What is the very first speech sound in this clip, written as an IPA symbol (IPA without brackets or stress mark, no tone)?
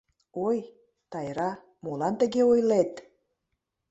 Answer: o